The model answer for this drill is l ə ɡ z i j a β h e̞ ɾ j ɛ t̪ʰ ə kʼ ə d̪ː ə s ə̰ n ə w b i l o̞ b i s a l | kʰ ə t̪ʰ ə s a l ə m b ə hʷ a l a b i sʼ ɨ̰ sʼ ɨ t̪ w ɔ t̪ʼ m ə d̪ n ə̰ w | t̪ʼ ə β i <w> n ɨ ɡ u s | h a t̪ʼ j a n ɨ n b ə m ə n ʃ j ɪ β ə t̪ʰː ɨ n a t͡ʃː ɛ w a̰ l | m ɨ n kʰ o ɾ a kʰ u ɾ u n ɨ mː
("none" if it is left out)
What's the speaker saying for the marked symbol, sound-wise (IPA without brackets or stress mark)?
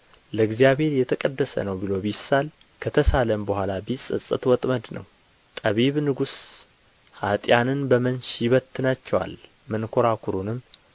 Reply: β